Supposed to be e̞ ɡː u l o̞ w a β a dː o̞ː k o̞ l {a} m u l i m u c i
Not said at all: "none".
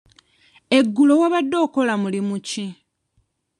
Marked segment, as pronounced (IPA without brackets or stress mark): a